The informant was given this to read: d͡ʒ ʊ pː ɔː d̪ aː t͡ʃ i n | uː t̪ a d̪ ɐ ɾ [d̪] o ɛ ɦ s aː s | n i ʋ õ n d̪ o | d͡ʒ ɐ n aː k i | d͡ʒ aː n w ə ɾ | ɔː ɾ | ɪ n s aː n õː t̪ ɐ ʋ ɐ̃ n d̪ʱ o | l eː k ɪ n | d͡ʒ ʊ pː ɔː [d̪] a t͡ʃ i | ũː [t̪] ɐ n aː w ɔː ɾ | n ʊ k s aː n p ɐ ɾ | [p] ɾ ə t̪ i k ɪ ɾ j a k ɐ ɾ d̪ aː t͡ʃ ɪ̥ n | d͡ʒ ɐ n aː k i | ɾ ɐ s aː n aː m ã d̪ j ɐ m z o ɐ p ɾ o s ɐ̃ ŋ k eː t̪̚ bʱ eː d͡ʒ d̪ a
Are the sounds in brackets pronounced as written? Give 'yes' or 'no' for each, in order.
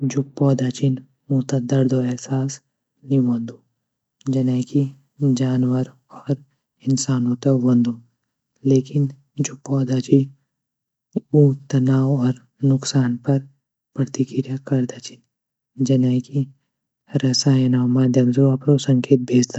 yes, yes, yes, yes

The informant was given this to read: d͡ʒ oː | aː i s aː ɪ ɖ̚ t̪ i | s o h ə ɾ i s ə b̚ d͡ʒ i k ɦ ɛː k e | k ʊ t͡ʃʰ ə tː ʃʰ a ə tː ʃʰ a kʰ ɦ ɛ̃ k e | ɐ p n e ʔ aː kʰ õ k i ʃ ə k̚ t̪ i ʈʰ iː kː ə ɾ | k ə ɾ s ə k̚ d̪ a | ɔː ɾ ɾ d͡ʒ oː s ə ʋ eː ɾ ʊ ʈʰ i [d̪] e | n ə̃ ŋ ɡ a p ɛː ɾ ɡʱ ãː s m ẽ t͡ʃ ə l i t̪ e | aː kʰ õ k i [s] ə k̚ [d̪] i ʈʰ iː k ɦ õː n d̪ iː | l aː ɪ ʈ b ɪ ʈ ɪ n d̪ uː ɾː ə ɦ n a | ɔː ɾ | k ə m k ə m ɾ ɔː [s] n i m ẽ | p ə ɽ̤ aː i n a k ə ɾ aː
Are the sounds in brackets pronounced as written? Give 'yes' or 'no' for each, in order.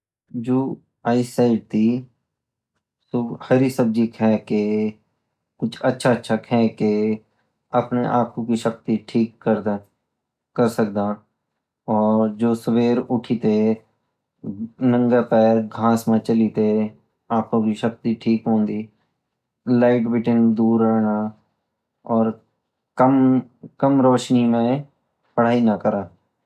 no, no, no, no

